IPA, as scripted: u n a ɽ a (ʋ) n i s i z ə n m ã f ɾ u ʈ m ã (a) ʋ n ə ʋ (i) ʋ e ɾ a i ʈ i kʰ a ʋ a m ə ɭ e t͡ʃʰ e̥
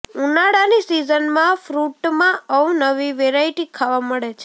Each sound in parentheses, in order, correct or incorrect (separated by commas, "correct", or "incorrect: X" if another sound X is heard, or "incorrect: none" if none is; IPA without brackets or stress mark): incorrect: none, incorrect: ə, correct